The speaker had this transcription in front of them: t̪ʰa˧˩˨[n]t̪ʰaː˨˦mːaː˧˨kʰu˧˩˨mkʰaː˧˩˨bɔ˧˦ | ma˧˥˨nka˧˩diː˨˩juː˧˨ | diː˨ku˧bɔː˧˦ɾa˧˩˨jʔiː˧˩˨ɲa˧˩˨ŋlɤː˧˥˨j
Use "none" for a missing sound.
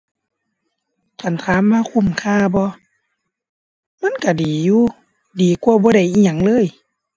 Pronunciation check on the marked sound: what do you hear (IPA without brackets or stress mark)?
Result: n